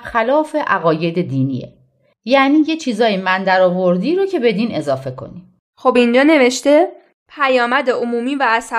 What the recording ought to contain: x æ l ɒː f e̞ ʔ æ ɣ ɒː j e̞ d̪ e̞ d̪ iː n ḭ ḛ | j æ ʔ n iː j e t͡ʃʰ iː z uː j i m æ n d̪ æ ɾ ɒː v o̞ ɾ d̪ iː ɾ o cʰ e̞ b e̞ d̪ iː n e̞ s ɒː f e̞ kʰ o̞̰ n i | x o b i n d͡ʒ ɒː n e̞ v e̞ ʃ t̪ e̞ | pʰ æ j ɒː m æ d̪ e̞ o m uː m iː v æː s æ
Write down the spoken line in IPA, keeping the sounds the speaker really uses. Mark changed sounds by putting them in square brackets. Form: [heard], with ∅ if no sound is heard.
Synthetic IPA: x æ l ɒː f e̞ ʔ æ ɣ ɒː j e̞ d̪ e̞ d̪ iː n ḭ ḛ | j æ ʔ n iː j e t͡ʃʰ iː z [ɒː] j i m æ n d̪ æ ɾ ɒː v o̞ ɾ d̪ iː ɾ o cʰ e̞ b e̞ d̪ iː n e̞ [z] ɒː f e̞ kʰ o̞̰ n i | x o b i n d͡ʒ ɒː n e̞ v e̞ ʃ t̪ e̞ | pʰ æ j ɒː m æ d̪ e̞ o m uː m iː v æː s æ